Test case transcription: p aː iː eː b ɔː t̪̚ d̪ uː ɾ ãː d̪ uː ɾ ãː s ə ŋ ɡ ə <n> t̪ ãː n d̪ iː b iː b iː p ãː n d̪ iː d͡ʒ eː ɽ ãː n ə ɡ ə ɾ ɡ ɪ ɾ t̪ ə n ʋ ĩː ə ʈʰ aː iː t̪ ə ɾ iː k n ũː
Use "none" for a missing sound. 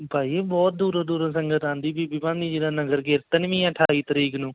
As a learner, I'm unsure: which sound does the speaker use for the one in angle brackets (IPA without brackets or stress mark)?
none